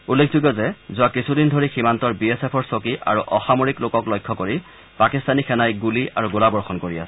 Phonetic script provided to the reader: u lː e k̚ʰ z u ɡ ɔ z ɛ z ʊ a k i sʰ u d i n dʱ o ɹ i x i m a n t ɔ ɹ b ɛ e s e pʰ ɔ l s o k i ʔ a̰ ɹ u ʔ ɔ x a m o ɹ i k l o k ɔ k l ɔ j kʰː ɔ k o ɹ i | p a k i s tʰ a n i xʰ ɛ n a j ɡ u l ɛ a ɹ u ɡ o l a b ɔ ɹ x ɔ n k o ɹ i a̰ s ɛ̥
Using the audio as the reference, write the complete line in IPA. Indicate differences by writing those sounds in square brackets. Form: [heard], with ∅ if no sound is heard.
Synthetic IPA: u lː e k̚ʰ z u ɡ ɔ z ɛ z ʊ a k i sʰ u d i n dʱ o ɹ i x i m a n t ɔ ɹ b [i] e s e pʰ ɔ [ɹ] s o k i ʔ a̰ ɹ u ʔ ɔ x a m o ɹ i k l o k ɔ k l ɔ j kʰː ɔ k o ɹ i | p a k i s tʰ a n i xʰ ɛ n a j ɡ u l [i] a ɹ u ɡ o l a b ɔ ɹ x ɔ n k o ɹ i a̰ s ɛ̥